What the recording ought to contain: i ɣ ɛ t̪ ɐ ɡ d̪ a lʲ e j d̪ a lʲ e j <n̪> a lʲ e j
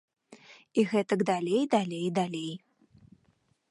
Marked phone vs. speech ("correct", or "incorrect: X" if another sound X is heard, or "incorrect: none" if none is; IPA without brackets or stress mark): incorrect: d̪